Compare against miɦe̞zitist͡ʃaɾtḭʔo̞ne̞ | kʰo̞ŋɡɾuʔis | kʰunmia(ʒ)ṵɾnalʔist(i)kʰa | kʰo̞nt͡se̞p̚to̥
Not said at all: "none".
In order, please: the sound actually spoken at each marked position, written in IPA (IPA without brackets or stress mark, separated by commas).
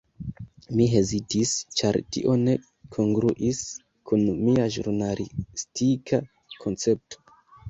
ʒ, i